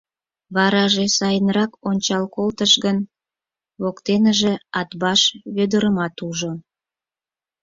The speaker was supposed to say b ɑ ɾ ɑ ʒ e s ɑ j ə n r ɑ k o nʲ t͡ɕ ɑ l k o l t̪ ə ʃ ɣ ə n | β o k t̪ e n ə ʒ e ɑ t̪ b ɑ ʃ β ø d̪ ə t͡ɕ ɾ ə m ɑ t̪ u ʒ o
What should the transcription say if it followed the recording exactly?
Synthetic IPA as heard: β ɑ ɾ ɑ ʒ e s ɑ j ə n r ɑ k o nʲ t͡ɕ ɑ l k o l t̪ ə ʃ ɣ ə n | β o k t̪ e n ə ʒ e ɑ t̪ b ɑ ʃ β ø d̪ ə ɾ ə m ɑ t̪ u ʒ o